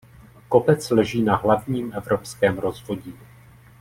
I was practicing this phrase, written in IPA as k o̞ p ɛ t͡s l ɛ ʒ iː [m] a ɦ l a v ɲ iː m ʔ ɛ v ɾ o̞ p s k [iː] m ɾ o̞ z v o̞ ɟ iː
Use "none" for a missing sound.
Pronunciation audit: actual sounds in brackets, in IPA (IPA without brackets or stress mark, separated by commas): n, ɛː